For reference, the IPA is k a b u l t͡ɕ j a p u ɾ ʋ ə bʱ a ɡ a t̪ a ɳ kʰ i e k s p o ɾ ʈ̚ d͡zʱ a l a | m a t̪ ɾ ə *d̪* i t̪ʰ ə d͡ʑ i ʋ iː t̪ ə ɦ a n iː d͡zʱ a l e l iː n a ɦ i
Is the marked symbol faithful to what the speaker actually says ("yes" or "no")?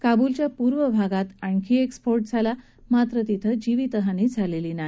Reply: no